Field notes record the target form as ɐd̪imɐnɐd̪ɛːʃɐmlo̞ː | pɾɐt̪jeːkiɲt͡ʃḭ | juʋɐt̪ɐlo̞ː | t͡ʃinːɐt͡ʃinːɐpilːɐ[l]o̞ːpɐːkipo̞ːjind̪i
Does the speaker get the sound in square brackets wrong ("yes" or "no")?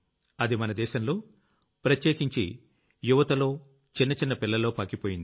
no